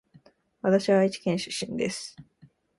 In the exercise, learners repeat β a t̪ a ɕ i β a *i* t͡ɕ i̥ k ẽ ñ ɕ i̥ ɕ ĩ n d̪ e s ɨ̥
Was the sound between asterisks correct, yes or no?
yes